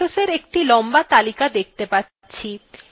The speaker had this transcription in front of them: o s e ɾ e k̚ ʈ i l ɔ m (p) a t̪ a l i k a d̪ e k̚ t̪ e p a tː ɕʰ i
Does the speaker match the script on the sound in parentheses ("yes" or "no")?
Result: no